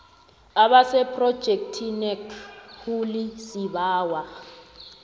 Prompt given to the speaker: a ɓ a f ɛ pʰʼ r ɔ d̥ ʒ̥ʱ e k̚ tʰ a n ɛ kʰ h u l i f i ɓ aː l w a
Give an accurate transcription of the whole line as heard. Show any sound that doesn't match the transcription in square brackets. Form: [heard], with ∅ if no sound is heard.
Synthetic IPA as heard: a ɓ a [s] ɛ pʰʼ r ɔ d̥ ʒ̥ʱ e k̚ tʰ [i] n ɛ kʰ h u l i [s] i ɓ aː [∅] w a